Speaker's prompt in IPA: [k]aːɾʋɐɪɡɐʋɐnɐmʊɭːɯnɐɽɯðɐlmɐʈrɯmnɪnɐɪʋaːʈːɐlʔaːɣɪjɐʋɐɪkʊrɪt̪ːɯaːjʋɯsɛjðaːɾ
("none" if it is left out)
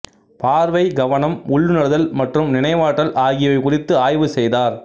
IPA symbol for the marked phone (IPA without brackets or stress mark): p